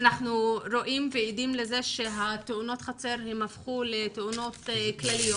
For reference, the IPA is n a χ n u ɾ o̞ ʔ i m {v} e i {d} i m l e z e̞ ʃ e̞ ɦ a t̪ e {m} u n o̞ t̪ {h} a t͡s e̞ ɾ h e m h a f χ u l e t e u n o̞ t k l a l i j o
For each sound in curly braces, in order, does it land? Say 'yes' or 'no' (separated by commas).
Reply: yes, yes, no, no